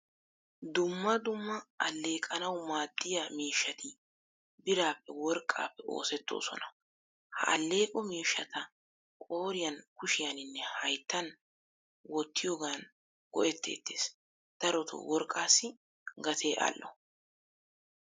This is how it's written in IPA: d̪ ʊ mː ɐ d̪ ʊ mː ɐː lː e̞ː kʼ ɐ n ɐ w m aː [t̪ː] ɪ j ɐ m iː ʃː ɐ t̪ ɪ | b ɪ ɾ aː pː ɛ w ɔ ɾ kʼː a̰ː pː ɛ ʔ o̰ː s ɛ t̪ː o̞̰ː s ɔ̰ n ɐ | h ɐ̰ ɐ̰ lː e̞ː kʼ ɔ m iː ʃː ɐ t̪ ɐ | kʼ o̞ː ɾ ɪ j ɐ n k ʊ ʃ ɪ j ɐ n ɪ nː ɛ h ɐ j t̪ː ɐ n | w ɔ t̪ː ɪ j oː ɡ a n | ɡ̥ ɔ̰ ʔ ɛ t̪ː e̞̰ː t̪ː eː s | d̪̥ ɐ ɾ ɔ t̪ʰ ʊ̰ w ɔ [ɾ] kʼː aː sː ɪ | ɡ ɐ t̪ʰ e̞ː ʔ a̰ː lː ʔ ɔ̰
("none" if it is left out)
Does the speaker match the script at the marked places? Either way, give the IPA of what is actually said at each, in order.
d̪ː, ɾ

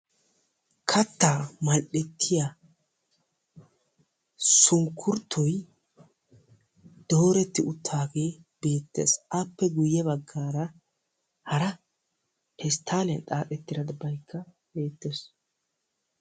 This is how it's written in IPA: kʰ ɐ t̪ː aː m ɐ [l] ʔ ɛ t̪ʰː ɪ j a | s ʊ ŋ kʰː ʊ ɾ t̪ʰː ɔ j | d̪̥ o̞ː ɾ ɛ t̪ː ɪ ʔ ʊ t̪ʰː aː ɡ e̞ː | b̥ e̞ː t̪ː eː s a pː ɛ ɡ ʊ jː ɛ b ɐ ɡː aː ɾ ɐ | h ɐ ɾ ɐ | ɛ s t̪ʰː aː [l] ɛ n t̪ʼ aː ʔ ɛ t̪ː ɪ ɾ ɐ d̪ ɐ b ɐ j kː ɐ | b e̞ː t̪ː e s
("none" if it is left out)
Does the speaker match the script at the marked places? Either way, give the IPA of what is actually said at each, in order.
l, l

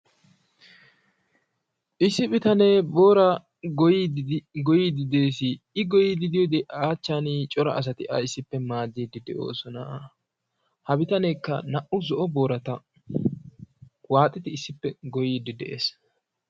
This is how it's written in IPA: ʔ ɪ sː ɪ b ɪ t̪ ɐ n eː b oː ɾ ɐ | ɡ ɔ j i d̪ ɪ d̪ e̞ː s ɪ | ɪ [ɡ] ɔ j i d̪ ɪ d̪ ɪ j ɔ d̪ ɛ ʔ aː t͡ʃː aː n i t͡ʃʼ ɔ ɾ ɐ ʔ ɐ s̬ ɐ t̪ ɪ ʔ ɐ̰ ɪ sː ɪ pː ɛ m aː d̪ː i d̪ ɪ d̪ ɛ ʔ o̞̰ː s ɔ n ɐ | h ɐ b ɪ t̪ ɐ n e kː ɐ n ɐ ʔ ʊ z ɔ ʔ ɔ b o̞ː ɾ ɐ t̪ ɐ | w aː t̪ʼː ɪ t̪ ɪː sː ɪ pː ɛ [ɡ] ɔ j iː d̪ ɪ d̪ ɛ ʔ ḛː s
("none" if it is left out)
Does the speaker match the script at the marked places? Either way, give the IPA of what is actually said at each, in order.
ɡ, ɡ

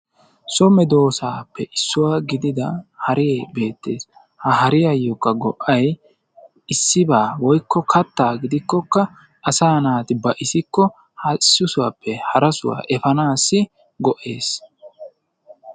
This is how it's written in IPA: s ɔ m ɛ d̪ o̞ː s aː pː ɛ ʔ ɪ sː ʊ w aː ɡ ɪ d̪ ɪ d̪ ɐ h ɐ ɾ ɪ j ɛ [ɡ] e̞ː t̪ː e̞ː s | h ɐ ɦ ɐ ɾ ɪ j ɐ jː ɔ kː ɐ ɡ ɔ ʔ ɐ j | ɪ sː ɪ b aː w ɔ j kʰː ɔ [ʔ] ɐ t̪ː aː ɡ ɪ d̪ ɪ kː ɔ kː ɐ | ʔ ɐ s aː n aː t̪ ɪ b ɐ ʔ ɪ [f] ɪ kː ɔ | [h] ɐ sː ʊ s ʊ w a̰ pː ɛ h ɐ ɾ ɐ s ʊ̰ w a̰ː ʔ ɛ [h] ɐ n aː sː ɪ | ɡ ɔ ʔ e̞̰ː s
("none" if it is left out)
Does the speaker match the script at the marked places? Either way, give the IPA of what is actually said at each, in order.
b, k, s, h, f

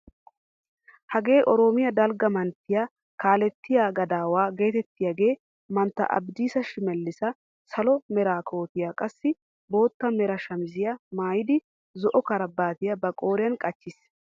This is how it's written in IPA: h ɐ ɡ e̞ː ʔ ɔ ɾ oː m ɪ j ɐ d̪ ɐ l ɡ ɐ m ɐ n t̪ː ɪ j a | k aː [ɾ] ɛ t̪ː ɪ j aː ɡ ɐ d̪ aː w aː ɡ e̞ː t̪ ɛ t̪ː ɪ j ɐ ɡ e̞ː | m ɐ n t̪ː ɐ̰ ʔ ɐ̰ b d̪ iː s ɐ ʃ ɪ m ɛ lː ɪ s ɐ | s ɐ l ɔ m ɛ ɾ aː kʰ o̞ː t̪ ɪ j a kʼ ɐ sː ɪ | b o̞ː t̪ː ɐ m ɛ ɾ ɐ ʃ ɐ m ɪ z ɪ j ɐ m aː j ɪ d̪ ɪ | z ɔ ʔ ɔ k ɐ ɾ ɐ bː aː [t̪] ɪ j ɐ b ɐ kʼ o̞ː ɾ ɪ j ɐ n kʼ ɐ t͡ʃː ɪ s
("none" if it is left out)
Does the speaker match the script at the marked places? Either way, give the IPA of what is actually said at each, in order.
l, t̪

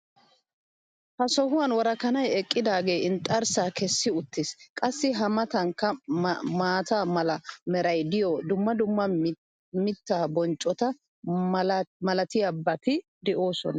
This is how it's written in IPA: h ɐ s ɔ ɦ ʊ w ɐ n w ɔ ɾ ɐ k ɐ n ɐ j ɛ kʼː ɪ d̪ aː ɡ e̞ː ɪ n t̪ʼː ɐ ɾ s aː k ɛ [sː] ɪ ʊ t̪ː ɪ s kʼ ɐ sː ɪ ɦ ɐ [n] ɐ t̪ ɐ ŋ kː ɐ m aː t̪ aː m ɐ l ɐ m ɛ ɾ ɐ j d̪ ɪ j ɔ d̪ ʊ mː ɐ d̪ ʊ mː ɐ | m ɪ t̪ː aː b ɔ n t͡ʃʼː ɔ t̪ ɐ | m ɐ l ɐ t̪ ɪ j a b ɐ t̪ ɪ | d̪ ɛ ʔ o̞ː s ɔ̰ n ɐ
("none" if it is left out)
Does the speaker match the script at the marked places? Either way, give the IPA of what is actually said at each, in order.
sː, m

